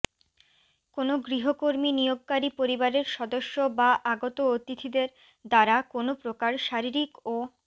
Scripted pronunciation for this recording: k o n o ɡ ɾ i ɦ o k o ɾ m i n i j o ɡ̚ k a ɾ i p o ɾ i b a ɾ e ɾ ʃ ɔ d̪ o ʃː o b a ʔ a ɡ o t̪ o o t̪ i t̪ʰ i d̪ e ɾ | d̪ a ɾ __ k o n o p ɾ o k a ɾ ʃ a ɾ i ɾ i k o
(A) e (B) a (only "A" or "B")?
B